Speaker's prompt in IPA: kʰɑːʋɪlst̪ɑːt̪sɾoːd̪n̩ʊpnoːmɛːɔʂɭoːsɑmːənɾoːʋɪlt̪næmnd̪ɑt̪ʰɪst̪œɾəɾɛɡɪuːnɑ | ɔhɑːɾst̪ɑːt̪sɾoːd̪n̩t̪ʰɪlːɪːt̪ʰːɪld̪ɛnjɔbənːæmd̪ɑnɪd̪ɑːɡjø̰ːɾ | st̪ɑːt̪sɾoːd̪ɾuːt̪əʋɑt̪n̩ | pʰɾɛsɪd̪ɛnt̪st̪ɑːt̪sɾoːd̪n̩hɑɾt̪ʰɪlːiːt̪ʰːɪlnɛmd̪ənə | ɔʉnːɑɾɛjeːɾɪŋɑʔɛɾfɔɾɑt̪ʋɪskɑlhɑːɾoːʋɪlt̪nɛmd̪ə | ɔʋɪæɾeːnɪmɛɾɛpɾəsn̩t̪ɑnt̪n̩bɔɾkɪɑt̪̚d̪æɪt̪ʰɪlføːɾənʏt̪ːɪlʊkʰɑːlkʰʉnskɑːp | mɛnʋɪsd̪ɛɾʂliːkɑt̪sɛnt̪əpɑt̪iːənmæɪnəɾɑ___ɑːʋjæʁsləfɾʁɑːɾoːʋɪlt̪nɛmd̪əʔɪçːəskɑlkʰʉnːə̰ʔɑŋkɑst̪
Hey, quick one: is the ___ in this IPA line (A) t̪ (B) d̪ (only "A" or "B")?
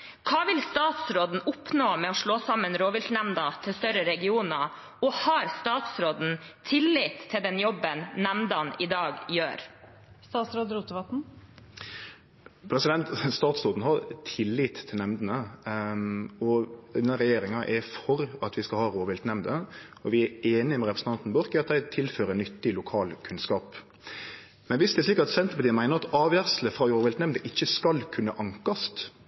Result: A